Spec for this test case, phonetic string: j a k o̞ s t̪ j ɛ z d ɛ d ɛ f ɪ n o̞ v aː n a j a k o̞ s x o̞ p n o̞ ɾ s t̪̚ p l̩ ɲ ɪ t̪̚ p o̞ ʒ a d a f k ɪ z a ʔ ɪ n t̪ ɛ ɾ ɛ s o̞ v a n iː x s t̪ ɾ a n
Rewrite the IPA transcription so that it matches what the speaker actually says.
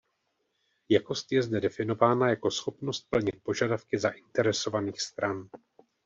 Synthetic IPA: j a k o̞ s t̪ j ɛ z d ɛ d ɛ f ɪ n o̞ v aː n a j a k o̞ s x o̞ p n o̞ s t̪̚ p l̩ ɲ ɪ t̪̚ p o̞ ʒ a d a f k ɪ z a ʔ ɪ n t̪ ɛ ɾ ɛ s o̞ v a n iː x s t̪ ɾ a n